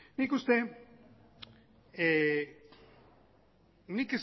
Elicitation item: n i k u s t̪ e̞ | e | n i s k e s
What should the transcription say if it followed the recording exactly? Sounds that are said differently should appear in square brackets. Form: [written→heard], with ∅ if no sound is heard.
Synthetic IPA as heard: n i k u s t̪ e̞ | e | n i [s→∅] k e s